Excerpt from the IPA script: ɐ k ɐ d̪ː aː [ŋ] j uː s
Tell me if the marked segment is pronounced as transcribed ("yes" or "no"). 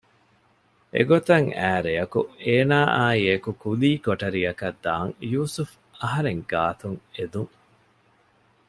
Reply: yes